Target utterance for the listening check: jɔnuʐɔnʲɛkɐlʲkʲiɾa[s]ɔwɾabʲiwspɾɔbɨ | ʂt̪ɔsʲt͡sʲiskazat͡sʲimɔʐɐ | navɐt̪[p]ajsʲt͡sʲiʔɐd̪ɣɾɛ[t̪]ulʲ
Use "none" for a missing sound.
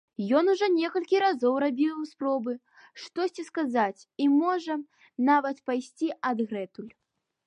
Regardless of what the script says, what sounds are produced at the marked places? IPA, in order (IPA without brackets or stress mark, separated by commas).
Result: z, p, t̪